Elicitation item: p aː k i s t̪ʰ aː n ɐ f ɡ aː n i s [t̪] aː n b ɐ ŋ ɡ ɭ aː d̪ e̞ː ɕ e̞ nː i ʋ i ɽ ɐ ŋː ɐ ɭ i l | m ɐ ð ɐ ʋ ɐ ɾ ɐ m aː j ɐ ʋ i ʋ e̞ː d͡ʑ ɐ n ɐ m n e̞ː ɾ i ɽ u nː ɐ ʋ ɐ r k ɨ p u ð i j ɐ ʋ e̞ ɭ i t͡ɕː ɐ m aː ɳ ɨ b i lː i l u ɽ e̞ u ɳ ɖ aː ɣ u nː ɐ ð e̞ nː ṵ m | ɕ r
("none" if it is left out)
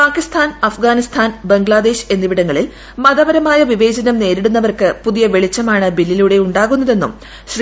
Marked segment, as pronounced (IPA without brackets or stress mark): t̪ʰ